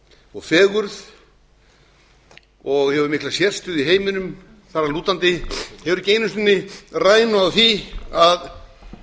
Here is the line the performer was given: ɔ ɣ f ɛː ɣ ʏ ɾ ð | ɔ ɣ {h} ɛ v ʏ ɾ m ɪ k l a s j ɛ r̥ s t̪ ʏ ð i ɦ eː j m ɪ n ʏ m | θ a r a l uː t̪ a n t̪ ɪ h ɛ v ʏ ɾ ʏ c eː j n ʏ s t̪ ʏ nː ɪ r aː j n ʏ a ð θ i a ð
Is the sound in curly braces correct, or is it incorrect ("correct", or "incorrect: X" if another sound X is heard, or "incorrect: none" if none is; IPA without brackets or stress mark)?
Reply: correct